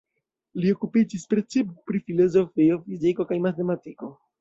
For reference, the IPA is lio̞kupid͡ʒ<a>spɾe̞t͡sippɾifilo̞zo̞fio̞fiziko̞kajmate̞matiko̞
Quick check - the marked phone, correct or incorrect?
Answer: incorrect